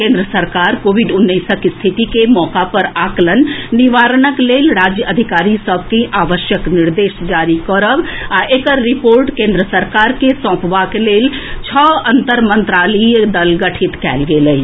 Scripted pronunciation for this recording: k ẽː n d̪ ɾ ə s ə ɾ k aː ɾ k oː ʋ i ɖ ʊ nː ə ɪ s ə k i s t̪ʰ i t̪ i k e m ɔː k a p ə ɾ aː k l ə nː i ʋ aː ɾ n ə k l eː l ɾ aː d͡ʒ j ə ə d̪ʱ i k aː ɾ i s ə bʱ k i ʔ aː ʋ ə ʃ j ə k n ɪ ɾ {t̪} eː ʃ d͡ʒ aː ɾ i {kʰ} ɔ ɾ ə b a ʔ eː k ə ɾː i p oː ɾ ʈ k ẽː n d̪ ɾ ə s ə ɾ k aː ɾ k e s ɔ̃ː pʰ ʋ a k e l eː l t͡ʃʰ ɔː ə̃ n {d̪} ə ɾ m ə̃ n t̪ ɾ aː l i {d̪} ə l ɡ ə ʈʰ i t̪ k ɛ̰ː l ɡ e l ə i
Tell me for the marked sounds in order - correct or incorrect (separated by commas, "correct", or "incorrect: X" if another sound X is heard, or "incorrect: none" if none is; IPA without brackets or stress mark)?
incorrect: d̪, incorrect: k, incorrect: t̪, correct